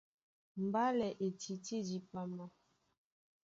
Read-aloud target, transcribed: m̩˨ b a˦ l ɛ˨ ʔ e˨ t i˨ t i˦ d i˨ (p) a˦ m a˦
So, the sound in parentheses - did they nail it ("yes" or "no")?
yes